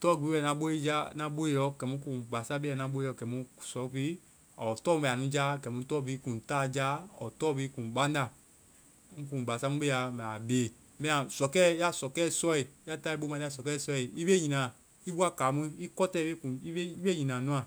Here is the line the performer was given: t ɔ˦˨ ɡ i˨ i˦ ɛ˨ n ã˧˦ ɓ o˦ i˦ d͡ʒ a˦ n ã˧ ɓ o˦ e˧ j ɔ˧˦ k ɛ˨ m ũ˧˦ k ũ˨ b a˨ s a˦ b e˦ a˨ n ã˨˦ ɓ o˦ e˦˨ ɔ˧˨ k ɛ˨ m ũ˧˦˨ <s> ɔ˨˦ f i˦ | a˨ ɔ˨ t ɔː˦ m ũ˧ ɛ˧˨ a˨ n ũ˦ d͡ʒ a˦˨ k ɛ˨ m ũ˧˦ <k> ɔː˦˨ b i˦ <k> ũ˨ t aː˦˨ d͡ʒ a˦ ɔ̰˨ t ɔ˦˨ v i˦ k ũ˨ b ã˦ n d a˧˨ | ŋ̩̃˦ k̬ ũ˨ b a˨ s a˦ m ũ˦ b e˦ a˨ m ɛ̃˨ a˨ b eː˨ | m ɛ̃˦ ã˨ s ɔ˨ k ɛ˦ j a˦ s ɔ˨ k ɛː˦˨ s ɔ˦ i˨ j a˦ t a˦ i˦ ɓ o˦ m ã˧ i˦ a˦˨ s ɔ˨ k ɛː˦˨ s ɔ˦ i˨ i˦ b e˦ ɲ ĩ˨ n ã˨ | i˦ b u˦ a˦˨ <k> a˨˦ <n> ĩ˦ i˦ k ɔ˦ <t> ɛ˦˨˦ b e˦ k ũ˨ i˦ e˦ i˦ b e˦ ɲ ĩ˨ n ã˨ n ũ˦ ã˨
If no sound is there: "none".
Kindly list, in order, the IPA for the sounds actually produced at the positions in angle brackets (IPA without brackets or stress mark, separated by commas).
s, t, k, k, m, t